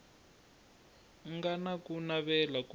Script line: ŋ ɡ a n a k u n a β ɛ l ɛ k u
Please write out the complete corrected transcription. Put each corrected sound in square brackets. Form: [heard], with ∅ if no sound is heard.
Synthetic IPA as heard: ŋ ɡ a n a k u n a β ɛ l [a] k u